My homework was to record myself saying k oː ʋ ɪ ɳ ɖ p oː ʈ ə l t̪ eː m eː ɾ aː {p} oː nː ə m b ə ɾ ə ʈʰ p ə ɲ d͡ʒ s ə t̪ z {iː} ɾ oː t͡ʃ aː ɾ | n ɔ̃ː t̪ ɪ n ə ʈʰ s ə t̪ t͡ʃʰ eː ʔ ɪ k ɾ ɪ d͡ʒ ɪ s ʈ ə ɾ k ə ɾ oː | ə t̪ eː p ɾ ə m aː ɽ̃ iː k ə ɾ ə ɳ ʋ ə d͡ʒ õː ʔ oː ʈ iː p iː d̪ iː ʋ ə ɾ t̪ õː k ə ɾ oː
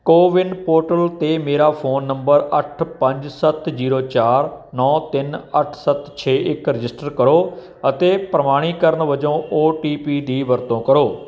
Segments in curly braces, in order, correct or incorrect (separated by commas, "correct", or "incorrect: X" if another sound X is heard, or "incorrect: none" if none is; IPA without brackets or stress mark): incorrect: pʰ, correct